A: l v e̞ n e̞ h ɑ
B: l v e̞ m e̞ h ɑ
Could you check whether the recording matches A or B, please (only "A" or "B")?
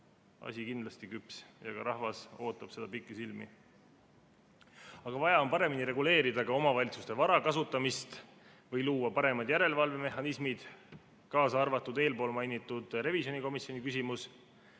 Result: B